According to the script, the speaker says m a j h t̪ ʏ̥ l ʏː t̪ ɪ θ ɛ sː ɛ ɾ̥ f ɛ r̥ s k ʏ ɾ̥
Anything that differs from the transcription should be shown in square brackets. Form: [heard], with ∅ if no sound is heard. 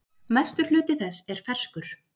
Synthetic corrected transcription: m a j [s] t̪ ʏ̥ l ʏː t̪ ɪ θ ɛ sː ɛ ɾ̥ f ɛ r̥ s k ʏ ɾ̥